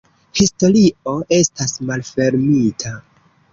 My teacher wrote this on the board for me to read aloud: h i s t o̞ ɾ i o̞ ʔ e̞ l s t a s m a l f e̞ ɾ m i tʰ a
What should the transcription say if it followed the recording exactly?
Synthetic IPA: h i s t o̞ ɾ i o̞ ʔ e̞ s t a s m a l f e̞ ɾ m i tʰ a